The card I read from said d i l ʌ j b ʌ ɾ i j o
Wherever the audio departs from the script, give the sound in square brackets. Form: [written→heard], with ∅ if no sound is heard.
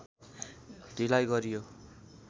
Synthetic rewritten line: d i l [ʌ→a] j [b→ɡ] ʌ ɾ i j o

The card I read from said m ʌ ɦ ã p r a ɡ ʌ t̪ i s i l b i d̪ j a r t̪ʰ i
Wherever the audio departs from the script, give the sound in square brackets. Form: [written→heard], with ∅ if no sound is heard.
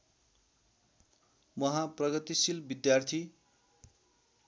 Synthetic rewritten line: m ʌ ɦ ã p r [a→ʌ] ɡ ʌ t̪ i s i l b i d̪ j a r t̪ʰ i

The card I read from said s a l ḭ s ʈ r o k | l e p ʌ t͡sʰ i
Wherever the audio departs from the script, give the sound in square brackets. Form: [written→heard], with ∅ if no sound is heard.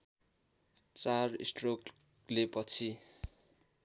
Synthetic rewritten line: [s→t͡s] a [l→r] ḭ s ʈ r o k | l e p ʌ t͡sʰ i

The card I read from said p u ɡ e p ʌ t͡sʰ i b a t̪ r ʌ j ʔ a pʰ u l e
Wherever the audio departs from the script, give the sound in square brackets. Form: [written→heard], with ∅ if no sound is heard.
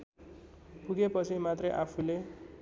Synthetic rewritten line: p u ɡ e p ʌ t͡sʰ i [b→m] a t̪ r ʌ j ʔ a pʰ u l e

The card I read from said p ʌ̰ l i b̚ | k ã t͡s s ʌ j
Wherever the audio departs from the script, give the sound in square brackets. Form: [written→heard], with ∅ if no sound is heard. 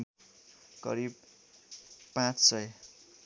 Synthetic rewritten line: [p→k] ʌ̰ [l→ɾ] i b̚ | [k→p] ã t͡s s ʌ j

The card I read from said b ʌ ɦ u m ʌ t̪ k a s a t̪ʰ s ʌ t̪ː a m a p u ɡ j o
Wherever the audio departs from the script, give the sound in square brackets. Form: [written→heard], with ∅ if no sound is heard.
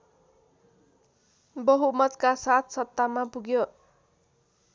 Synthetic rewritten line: b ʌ ɦ u m ʌ t̪ k a s a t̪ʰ s ʌ t̪ː a m a p u ɡ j o

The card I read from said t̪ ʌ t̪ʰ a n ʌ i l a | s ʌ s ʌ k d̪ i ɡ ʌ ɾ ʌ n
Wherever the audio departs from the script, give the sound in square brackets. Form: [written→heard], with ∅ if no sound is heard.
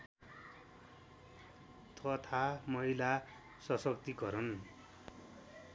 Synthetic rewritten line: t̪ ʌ t̪ʰ a [n→m] ʌ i l a | s ʌ s ʌ k [d̪→t̪] i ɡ ʌ ɾ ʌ n

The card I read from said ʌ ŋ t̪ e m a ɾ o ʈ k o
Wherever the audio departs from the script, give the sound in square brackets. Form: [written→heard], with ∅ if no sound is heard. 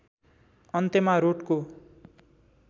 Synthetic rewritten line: ʌ [ŋ→n] t̪ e m a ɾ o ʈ k o

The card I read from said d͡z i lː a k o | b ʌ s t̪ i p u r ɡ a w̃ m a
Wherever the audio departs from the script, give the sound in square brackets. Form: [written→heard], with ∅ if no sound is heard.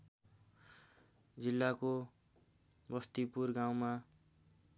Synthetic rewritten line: d͡z i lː a k o | b ʌ s t̪ i p u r ɡ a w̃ m a

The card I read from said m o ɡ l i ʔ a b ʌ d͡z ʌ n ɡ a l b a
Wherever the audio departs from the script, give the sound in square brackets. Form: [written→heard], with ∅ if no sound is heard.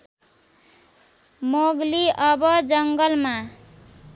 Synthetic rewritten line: m o ɡ l i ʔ [a→ʌ] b ʌ d͡z ʌ [n→ŋ] ɡ [a→ʌ] l [b→m] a

